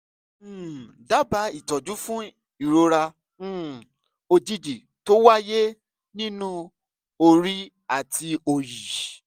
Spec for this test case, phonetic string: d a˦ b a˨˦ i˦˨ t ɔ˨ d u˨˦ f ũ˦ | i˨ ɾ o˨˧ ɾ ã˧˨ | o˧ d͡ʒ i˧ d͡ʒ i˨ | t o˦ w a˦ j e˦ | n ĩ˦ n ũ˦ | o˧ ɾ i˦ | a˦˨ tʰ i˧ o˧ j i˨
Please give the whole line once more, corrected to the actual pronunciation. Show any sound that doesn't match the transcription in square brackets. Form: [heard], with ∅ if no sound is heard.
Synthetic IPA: d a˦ b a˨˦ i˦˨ t ɔ˨ [d͡ʒ] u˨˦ f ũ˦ | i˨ ɾ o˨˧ ɾ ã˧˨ | o˧ d͡ʒ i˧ d͡ʒ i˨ | t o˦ w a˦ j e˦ | n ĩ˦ n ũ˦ | o˧ ɾ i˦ | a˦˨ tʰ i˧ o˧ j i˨